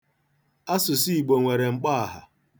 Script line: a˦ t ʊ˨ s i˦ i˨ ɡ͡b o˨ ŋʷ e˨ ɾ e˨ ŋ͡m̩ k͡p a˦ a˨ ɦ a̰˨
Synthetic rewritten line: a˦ s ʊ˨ s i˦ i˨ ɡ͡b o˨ ŋʷ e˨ ɾ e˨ ŋ͡m̩ k͡p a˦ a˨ ɦ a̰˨